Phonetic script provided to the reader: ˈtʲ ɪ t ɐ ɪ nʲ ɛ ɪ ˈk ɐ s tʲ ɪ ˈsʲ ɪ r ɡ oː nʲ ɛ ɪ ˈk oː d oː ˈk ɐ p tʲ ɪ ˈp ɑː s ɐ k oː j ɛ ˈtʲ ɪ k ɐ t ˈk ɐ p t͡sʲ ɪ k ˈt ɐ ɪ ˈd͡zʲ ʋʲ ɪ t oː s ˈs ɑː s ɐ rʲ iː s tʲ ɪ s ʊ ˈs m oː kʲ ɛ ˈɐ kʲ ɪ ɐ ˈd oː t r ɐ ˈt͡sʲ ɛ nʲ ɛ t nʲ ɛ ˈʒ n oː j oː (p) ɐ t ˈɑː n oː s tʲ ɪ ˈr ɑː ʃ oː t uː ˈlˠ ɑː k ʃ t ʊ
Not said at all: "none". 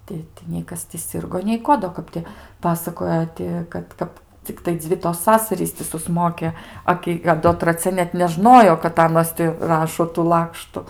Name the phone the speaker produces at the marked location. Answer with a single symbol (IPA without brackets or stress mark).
k